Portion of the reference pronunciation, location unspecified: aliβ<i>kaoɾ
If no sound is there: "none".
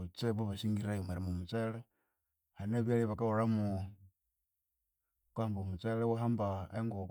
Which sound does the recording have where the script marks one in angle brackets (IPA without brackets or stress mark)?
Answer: a